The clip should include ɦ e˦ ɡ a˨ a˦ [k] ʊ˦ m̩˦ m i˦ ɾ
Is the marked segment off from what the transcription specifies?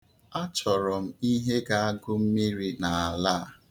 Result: yes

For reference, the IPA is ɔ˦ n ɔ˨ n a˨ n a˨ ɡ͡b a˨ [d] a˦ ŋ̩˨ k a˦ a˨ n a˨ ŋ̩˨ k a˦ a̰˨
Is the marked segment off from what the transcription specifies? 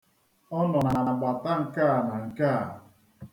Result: yes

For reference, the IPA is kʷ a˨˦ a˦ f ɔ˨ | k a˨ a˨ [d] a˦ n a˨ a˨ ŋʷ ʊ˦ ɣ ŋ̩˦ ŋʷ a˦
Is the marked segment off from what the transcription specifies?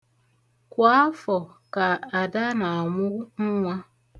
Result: no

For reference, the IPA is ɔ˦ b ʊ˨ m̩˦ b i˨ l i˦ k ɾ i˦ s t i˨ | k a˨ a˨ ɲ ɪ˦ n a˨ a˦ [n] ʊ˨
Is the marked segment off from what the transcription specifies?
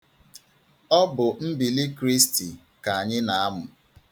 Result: yes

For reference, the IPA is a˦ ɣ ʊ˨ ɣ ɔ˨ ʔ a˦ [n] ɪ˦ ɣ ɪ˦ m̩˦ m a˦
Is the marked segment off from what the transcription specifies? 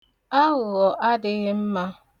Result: yes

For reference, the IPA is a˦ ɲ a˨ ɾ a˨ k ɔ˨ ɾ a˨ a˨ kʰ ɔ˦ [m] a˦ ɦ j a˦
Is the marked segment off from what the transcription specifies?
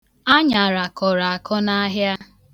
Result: yes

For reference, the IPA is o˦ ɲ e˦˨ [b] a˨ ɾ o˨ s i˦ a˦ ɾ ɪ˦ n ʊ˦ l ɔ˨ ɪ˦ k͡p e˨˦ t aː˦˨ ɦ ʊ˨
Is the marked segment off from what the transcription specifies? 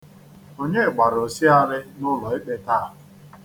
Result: yes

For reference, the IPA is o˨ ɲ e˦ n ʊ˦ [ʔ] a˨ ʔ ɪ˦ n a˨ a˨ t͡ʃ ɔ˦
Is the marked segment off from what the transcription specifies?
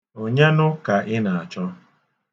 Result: yes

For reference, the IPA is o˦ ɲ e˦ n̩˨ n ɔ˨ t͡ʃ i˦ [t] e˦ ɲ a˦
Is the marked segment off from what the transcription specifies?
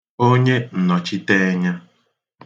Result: no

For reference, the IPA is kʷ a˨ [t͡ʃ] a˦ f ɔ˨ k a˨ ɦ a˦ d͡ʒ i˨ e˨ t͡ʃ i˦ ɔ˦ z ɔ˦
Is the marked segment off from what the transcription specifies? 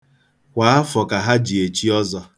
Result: yes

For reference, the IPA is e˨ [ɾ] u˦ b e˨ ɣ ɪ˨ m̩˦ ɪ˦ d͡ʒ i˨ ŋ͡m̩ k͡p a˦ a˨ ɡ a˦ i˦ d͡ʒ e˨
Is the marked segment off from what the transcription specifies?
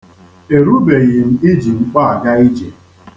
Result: no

